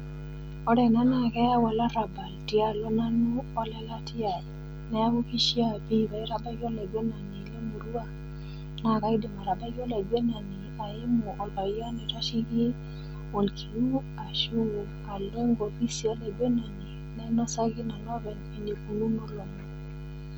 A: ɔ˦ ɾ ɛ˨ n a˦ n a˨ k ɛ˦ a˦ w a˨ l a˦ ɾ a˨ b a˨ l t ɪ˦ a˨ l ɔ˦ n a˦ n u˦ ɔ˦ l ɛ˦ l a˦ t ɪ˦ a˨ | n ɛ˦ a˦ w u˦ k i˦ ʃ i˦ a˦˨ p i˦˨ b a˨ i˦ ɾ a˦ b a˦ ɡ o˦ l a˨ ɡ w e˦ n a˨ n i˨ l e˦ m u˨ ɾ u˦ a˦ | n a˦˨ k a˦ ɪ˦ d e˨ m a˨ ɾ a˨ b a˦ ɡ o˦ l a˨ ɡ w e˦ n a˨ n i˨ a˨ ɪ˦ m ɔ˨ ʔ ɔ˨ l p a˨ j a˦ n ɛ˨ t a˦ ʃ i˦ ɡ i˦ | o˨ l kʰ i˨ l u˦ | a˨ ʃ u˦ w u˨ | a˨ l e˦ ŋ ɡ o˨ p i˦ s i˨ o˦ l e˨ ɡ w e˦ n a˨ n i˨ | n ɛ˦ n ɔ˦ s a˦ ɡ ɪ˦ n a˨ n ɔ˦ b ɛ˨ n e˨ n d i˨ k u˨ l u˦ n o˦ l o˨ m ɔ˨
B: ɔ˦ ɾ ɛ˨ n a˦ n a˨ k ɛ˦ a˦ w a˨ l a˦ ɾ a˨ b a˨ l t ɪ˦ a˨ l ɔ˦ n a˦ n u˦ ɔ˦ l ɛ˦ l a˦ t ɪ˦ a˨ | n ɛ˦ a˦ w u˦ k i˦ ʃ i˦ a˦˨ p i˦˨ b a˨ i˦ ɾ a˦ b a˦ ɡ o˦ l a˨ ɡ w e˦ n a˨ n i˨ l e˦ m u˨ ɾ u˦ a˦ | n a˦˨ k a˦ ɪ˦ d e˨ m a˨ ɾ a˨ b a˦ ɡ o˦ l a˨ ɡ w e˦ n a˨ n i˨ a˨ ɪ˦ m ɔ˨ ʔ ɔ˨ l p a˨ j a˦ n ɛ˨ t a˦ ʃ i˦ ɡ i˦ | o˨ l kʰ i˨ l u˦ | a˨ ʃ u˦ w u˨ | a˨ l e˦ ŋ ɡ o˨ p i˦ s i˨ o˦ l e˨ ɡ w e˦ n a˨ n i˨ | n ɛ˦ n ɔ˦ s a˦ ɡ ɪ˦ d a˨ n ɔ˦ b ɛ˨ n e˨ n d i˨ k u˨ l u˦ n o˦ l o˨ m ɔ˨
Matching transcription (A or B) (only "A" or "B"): A